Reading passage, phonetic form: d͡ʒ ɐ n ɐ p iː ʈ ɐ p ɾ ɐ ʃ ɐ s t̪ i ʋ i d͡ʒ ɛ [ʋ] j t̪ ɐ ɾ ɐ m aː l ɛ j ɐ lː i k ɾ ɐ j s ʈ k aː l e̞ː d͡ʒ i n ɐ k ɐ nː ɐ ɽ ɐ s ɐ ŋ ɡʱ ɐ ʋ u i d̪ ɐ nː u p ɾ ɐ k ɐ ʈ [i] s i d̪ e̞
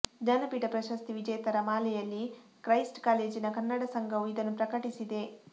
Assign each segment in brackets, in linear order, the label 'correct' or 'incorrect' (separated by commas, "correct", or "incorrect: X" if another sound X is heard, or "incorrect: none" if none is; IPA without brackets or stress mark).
incorrect: none, correct